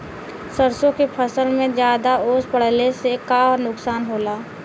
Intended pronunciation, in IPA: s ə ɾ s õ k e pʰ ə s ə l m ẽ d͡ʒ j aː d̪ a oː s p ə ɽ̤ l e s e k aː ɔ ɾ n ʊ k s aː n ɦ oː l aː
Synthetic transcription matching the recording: s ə ɾ s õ k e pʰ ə s ə l m ẽ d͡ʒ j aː d̪ a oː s p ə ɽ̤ l e s e k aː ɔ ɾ n ʊ k s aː n ɦ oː l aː

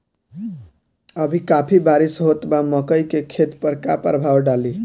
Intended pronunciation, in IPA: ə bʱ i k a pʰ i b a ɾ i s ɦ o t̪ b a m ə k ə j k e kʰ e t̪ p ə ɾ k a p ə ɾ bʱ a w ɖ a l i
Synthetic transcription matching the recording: ə bʱ i k a pʰ i b a ɾ i s ɦ o t̪ b a m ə k ə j k e kʰ e t̪ p ə ɾ k a p ə ɾ bʱ a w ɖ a l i

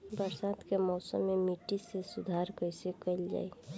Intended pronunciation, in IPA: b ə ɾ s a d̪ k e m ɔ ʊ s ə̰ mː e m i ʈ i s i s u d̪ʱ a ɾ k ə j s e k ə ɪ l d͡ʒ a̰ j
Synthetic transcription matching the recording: b ə ɾ s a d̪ k e m ɔ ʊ s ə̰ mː e m i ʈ i s e s u d̪ʱ a ɾ k ə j s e k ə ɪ l d͡ʒ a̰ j

